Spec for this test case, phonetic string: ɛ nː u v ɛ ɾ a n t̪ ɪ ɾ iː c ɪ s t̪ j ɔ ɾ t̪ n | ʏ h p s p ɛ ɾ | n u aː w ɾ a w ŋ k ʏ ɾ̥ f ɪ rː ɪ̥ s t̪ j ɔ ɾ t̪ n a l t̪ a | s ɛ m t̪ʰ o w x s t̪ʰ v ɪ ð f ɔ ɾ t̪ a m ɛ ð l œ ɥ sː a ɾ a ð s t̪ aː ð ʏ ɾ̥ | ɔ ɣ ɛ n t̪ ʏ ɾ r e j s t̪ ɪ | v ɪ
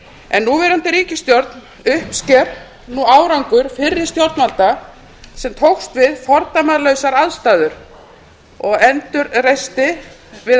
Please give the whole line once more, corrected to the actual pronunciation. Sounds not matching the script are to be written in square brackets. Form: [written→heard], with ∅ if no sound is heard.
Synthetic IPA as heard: ɛ nː u v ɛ ɾ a n t̪ ɪ ɾ iː c ɪ s t̪ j ɔ ɾ t̪ n | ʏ h p s [p→c] ɛ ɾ | n u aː w ɾ a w ŋ k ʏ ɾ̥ f ɪ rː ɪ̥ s t̪ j ɔ ɾ t̪ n a l t̪ a | s ɛ m t̪ʰ o w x s [t̪ʰ→t̪] v ɪ ð f ɔ ɾ t̪ a m [ɛ→a] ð l œ ɥ [sː→s] a ɾ a ð s t̪ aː ð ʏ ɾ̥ | ɔ ɣ ɛ n t̪ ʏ ɾ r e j s t̪ ɪ | v ɪ